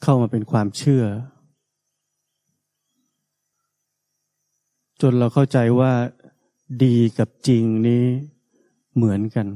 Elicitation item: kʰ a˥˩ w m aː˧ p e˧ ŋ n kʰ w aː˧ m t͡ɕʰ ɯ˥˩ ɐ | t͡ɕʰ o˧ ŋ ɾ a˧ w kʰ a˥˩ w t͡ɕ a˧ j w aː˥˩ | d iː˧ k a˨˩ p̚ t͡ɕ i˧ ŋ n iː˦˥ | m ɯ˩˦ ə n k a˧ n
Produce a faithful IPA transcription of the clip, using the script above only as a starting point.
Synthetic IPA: kʰ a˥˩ w m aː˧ p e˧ n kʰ w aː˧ m t͡ɕʰ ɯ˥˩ ɐ | t͡ɕ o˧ n ɾ a˧ w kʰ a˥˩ w t͡ɕ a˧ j w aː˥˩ | d iː˧ k a˨˩ p̚ t͡ɕ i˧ ŋ n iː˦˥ | m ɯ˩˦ ə n k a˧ n